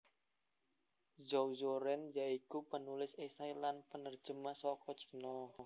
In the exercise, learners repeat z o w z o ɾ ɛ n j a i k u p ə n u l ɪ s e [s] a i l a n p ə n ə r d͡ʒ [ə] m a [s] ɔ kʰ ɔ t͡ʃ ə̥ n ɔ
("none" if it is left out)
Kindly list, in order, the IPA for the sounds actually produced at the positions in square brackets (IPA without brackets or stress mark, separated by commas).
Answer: s, ə, s